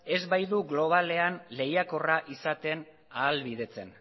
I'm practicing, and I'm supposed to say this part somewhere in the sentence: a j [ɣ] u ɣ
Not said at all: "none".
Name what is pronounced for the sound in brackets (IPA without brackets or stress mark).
ð